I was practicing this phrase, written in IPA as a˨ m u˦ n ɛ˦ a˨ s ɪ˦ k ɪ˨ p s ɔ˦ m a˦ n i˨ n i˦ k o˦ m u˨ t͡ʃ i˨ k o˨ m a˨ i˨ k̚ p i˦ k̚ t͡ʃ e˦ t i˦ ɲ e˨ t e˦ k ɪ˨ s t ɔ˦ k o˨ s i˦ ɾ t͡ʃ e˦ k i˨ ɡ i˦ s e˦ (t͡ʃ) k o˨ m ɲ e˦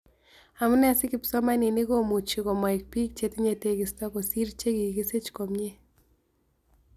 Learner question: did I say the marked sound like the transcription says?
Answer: yes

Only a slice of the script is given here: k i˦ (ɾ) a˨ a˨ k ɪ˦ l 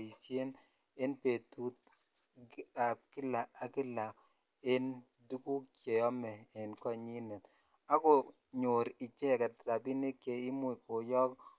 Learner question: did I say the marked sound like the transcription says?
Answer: no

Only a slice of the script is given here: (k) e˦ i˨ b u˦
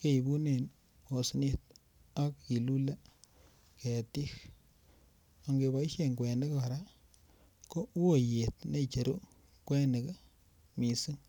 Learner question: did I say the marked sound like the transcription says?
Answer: yes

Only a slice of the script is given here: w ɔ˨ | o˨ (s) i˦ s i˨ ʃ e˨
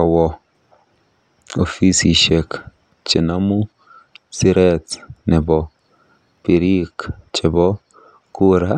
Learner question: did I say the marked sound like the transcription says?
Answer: no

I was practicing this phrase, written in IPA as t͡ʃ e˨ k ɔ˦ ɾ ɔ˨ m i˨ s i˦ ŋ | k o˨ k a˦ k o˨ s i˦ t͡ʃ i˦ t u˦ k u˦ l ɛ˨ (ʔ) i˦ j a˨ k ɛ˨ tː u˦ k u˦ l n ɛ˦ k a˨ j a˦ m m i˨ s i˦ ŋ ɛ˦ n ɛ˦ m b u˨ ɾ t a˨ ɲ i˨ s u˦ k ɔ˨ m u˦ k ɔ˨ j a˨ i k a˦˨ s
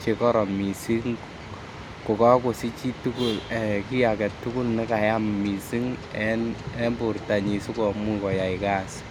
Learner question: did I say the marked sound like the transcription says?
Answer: no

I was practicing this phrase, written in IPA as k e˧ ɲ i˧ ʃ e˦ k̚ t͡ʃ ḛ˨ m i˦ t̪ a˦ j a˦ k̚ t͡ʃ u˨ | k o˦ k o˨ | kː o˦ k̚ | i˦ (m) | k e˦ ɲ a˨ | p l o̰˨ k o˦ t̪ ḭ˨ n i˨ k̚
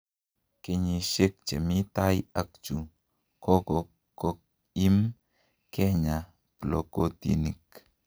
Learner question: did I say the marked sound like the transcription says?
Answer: yes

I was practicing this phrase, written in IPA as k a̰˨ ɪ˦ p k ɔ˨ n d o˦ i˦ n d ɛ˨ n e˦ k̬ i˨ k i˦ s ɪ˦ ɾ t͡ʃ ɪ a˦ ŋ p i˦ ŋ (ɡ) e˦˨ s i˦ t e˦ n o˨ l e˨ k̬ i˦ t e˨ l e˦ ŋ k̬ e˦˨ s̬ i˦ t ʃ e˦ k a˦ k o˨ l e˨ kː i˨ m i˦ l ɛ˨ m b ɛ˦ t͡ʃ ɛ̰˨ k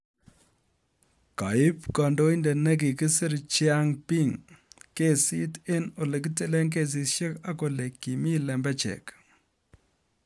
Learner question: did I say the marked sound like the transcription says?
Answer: no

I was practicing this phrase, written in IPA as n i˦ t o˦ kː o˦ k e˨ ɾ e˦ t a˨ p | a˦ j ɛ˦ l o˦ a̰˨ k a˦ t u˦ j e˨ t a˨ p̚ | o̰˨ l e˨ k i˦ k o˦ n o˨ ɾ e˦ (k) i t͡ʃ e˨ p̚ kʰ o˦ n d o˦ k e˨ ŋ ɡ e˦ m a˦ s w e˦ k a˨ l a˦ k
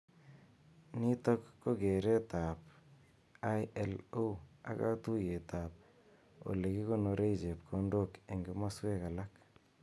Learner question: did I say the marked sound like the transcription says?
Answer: no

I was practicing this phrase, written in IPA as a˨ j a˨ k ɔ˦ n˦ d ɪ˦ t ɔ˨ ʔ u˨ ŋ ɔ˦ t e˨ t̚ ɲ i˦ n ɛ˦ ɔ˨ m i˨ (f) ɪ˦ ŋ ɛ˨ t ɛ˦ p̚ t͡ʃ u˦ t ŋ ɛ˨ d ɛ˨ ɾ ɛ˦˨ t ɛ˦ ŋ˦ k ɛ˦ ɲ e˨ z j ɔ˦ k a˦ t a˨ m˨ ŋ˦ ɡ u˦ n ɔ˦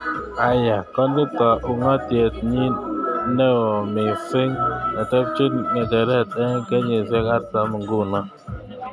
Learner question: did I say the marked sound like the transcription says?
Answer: yes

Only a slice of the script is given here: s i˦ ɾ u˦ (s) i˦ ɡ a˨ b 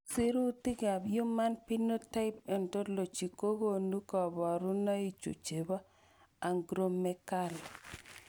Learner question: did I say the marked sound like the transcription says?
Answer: no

